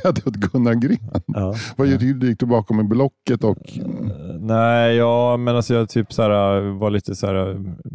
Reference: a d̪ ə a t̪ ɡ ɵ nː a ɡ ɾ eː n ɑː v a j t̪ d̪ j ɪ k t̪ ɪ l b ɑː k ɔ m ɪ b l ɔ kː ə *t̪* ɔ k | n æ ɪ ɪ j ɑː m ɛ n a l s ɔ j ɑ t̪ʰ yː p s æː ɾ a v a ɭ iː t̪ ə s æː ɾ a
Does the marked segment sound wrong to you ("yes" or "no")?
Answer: no